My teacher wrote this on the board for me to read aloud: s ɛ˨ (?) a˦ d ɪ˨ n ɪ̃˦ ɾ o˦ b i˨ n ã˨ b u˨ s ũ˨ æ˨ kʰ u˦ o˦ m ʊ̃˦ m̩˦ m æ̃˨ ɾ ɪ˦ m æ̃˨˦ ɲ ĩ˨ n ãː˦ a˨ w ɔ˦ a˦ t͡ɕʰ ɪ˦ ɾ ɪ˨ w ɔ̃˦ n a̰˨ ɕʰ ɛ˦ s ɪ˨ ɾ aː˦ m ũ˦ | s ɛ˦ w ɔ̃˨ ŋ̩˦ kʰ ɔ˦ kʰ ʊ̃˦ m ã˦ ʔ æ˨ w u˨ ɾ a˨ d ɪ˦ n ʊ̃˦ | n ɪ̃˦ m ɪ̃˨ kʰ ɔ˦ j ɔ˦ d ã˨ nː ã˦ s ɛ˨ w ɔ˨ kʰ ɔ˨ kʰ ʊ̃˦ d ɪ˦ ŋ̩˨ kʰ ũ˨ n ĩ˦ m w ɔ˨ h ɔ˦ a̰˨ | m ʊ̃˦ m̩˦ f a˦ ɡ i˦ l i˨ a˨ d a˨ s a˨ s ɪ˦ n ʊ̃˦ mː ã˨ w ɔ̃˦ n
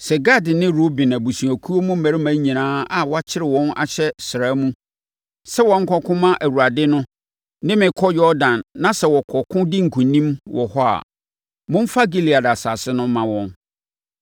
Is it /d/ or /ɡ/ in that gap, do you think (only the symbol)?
ɡ